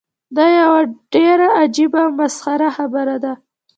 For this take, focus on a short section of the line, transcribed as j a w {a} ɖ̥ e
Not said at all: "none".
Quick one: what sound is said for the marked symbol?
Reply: a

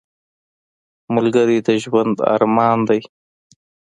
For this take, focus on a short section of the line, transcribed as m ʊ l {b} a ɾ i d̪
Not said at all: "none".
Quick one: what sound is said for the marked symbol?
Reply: ɡ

